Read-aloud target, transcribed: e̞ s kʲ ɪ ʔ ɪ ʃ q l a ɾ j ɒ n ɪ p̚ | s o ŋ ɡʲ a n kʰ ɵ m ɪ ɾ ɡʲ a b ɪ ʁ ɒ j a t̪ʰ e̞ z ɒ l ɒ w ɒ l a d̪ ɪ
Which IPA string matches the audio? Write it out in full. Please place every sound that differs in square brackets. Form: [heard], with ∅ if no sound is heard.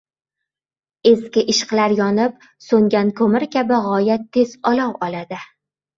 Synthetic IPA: e̞ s kʲ ɪ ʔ ɪ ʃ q l a ɾ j ɒ n ɪ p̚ | s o ŋ ɡʲ a n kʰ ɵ m ɪ ɾ [kʲ] a b ɪ ʁ ɒ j a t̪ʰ e̞ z ɒ l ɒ w ɒ l a d̪ ɪ